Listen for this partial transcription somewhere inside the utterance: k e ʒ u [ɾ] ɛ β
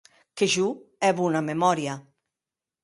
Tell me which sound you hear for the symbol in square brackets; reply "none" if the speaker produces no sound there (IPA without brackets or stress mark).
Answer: none